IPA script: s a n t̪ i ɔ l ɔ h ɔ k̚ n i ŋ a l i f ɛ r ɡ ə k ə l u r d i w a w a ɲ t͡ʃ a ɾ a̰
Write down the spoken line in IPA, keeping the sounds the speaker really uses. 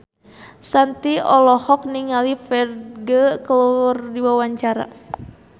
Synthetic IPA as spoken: s a n t̪ i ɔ l ɔ h ɔ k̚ n i ŋ a l i f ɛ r ɡ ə k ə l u r d i w a w a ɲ t͡ʃ a ɾ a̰